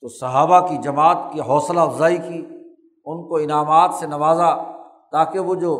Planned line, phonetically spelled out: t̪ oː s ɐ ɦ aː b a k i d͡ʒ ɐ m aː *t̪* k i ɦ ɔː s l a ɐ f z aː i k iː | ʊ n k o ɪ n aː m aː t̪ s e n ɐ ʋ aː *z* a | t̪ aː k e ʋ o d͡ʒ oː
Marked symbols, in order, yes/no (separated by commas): yes, yes